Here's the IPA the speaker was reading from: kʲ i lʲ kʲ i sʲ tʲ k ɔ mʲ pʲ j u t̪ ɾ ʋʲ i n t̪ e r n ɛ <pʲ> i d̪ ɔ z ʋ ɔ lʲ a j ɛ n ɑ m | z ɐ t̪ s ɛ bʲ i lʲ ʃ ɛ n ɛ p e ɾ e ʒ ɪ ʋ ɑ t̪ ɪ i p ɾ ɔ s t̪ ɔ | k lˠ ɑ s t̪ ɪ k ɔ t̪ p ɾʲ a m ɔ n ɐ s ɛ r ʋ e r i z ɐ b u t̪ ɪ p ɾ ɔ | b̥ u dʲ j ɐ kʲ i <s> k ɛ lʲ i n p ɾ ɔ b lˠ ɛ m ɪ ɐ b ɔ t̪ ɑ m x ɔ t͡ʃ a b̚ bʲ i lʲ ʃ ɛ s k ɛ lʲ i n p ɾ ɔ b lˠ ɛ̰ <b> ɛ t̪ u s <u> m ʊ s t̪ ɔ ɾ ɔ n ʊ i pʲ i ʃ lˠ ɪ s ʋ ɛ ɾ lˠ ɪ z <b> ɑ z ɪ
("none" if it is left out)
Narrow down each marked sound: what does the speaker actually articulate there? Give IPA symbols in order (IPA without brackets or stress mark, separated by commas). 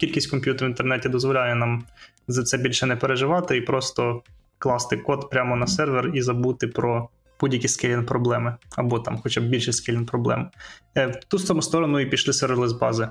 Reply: tʲ, s, m, ɔ, b